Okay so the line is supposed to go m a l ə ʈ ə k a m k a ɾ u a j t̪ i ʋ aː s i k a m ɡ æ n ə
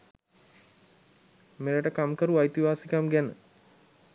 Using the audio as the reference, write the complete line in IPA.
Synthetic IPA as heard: m e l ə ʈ ə k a m k ə ɾ u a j t̪ i ʋ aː s i k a m ɡ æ n ə